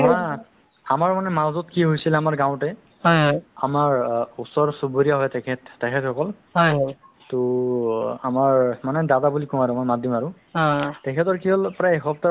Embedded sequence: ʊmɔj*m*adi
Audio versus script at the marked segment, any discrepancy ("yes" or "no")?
no